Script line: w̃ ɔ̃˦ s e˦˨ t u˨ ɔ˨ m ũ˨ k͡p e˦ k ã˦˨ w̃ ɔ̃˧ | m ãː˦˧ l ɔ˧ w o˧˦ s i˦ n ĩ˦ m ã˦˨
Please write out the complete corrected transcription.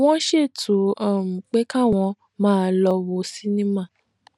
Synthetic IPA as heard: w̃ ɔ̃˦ ʃ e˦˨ t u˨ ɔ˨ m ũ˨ k͡p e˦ k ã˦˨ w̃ ɔ̃˧ | m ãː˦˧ l ɔ˧ w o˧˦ s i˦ n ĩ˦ m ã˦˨